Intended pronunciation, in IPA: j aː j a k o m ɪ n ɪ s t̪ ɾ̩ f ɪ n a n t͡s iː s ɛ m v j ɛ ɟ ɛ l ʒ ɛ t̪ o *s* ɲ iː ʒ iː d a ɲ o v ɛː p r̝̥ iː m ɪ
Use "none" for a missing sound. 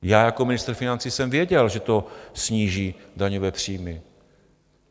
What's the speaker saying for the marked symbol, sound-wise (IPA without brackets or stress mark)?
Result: s